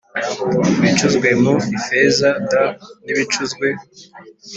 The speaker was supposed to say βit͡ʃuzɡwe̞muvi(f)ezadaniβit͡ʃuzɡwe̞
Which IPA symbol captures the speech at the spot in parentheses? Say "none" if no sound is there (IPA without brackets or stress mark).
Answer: f